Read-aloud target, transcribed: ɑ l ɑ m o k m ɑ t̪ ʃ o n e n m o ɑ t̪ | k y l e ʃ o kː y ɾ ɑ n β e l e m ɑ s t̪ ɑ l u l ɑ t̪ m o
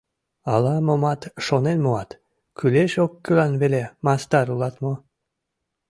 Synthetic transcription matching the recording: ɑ l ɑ m o m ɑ t̪ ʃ o n e n m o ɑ t̪ | k y l e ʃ o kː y l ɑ n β e l e m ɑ s t̪ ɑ ɾ u l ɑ t̪ m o

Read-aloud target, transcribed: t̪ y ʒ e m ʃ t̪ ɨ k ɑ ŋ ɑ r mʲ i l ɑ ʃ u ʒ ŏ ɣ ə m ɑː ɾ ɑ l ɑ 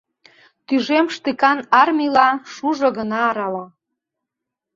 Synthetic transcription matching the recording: t̪ y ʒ e m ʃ t̪ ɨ k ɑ n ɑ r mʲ i l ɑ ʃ u ʒ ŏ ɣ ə n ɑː ɾ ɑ l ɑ

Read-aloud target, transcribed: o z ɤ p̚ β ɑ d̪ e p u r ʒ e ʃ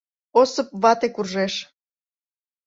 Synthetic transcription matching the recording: o s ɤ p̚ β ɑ t̪ e k u r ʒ e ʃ

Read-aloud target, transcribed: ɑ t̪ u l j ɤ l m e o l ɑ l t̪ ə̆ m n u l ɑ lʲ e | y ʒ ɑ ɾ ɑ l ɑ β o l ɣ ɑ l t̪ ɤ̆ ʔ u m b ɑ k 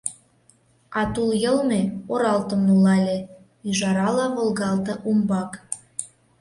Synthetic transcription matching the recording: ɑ t̪ u l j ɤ l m e o ɾ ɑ l t̪ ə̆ m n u l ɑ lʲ e | y ʒ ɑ ɾ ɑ l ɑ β o l ɣ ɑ l t̪ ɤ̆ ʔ u m b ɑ k

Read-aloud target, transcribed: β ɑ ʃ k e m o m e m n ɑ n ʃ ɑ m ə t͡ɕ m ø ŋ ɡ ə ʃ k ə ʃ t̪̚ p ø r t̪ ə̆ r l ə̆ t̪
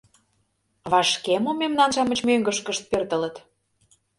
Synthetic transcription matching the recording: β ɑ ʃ k e m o m e m n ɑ n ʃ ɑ m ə t͡ɕ m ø ŋ ɡ ə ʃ k ə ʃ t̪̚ p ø r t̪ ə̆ l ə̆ t̪

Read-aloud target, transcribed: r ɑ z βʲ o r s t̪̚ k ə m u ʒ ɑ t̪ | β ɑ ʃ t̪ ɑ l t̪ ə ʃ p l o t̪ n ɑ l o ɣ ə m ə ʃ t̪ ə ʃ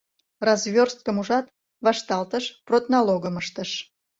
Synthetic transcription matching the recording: r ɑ z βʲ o r s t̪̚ k ə m u ʒ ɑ t̪ | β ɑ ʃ t̪ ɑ l t̪ ə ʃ p r o t̪ n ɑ l o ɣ ə m ə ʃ t̪ ə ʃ

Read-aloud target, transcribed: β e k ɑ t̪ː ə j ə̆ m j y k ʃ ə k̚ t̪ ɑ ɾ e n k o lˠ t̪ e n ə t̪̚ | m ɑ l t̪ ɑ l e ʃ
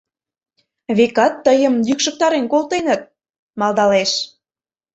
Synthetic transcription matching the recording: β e k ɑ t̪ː ə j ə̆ m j y k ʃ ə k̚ t̪ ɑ ɾ e n k o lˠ t̪ e n ə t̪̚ | m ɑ l d̪ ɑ l e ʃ

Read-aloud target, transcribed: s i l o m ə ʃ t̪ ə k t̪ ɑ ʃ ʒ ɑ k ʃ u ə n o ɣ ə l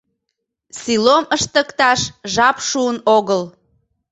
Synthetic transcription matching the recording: s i l o m ə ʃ t̪ ə k t̪ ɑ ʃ ʒ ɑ p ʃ u ə n o ɣ ə l

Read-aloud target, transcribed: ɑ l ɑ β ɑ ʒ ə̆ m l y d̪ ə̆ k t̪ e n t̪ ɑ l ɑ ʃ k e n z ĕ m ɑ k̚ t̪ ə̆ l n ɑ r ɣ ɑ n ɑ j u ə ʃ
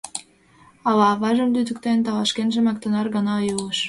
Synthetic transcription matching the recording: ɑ l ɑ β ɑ ʒ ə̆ m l y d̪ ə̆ k t̪ e n t̪ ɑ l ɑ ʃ k e n ʒ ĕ m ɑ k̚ t̪ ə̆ n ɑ r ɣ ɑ n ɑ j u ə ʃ

